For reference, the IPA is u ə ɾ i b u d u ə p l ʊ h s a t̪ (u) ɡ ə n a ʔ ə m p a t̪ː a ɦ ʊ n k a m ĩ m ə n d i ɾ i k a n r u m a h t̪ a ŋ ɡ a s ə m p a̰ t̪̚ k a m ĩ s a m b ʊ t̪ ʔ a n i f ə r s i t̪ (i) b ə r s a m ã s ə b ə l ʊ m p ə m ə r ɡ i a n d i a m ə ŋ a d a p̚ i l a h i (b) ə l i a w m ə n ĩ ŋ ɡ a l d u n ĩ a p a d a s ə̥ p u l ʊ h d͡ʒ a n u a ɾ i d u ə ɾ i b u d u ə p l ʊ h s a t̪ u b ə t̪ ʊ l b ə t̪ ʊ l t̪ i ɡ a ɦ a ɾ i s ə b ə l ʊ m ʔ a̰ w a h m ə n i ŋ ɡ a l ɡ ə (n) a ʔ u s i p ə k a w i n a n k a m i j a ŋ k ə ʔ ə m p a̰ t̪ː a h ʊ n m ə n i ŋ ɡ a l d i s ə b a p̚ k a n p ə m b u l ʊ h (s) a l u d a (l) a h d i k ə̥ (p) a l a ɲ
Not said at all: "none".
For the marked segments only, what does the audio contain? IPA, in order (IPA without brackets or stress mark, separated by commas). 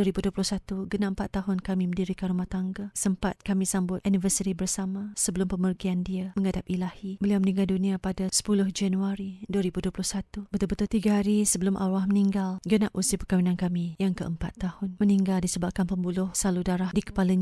u, i, b, n, s, ɾ, p